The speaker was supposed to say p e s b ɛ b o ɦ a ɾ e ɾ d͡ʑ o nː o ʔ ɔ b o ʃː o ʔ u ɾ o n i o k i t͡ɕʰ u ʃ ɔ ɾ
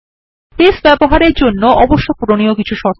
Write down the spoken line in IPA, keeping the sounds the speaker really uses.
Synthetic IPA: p e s b ɛ b o ɦ a ɾ e ɾ d͡ʑ o nː o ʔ ɔ b o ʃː o p u ɾ o n i o k i t͡ɕʰ u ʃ ɔ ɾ